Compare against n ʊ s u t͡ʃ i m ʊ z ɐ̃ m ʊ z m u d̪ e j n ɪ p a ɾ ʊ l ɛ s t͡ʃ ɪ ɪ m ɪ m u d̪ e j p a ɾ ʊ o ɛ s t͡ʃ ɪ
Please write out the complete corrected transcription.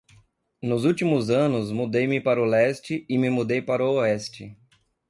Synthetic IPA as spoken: n ʊ z u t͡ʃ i m ʊ z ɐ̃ n ʊ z m u d̪ e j m ɪ p a ɾ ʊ l ɛ s t͡ʃ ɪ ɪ m ɪ m u d̪ e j p a ɾ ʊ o ɛ s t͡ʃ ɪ